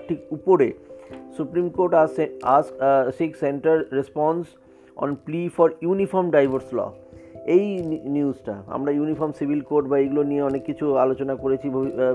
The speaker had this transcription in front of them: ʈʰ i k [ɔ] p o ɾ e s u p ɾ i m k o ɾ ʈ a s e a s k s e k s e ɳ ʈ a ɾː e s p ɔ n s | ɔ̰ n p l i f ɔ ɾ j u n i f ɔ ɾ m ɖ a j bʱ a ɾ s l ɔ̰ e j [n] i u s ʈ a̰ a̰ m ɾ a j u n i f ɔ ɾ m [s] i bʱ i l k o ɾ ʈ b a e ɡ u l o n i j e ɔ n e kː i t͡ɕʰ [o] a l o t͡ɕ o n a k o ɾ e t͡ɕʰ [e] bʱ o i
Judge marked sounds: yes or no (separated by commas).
no, yes, yes, no, no